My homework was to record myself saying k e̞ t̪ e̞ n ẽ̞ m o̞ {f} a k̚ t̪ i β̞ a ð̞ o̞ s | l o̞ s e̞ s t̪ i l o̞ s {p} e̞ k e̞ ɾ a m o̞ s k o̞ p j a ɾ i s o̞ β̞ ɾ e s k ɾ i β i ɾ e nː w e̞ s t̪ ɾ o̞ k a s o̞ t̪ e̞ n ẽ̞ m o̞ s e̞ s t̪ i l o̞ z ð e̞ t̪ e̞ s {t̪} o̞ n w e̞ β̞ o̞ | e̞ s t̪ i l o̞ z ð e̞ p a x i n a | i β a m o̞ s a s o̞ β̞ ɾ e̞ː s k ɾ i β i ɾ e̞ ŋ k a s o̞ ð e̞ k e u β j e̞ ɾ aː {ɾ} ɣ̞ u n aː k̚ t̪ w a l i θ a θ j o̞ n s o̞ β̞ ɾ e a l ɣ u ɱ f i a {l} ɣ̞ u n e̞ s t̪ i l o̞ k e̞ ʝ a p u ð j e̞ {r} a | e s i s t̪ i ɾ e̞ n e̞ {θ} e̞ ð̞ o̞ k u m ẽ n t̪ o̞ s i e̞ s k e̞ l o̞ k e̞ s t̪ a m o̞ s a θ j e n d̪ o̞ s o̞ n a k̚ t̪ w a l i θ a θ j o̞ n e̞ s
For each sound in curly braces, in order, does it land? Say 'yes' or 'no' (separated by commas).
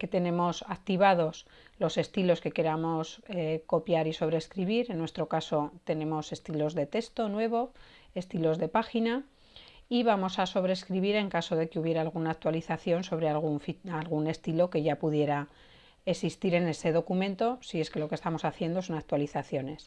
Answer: no, no, yes, no, yes, no, no